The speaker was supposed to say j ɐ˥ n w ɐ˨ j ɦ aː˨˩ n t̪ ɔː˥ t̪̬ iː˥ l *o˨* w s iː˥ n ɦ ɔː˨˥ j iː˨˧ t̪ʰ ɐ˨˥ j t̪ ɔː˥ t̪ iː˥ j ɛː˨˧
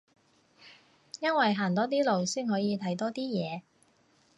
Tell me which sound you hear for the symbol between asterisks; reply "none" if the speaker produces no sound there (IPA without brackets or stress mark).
o˨